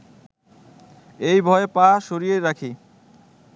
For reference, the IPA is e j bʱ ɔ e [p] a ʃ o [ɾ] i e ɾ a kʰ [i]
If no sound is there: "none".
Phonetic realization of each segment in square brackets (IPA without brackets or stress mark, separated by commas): p, ɾ, i